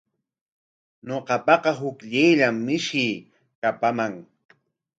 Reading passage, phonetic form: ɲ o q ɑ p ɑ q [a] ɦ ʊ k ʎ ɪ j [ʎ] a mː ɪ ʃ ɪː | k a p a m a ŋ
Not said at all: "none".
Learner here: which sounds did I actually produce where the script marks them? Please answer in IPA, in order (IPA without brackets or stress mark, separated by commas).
ɑ, ʎ